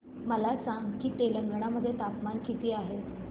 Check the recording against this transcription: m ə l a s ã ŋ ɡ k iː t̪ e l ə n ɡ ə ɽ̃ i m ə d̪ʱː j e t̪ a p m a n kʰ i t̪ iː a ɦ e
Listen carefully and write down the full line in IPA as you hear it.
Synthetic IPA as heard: m ə l a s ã ŋ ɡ k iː t̪ e l ə ŋ ɡ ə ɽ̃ a m ə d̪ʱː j e t̪ a p m a n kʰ i t̪ iː a ɦ e